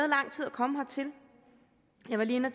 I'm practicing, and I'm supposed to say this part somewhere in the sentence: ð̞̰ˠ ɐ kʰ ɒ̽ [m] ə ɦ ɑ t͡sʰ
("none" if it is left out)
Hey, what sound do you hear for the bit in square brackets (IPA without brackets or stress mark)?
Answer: m